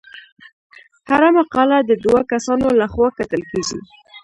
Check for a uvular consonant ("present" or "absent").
present